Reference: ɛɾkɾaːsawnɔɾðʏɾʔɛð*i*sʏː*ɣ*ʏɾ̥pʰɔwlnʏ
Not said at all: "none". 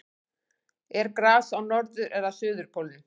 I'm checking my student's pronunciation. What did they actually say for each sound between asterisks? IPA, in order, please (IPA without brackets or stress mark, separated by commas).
a, ð